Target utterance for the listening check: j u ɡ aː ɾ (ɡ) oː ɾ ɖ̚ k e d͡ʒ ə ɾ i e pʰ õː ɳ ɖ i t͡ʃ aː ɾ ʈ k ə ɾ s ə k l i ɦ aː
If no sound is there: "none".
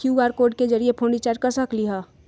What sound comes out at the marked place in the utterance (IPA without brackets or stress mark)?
k